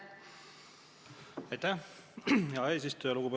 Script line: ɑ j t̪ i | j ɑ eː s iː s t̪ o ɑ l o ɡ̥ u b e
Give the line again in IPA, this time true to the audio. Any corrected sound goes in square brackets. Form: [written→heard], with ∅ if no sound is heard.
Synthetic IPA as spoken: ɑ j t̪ [i→æ] | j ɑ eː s [iː→i] s t̪ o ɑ l [o→u] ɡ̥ u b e